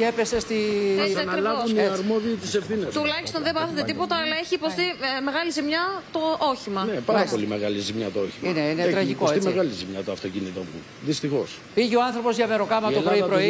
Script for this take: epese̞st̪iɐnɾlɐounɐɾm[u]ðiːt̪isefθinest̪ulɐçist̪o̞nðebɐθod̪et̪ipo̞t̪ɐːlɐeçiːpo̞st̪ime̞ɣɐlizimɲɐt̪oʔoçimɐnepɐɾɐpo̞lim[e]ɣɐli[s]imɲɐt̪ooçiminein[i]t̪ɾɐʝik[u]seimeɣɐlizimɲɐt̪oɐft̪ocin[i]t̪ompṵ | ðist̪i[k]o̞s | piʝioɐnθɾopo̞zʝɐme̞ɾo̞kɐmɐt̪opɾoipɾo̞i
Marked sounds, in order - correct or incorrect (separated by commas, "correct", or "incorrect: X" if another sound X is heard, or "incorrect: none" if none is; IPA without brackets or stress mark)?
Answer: incorrect: o, correct, incorrect: z, incorrect: e, incorrect: o, correct, incorrect: x